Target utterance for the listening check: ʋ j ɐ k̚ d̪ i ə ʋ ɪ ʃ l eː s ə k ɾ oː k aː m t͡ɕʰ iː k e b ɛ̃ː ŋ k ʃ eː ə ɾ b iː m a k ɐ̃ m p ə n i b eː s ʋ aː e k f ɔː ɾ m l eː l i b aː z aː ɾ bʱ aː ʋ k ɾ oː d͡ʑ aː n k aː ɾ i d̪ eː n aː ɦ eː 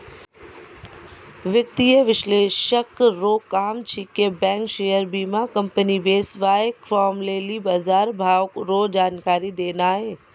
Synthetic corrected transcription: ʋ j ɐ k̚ t̪ i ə ʋ ɪ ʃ l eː ʃ ə k ɾ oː k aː m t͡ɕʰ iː k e b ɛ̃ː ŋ k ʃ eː ə ɾ b iː m a k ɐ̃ m p ə n i b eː s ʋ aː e k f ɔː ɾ m l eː l i b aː z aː ɾ bʱ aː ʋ k ɾ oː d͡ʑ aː n k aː ɾ i d̪ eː n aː ɦ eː